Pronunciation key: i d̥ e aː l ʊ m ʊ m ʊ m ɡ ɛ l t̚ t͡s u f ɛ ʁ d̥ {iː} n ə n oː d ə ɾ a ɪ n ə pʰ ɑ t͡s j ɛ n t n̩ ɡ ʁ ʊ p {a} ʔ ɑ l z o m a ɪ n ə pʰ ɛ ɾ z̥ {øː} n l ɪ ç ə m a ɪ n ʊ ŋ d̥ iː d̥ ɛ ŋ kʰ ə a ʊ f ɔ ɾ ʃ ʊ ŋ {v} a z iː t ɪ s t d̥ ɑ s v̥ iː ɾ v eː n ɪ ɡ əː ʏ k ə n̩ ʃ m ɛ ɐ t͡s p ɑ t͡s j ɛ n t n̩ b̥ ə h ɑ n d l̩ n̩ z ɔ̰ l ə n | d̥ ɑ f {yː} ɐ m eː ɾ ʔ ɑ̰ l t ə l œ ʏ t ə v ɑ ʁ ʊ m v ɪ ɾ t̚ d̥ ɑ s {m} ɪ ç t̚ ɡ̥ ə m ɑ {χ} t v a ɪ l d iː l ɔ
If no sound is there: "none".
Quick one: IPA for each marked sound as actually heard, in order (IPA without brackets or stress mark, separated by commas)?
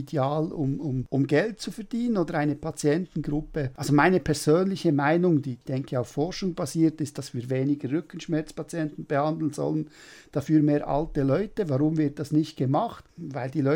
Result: iː, ə, øː, b, yː, n, χ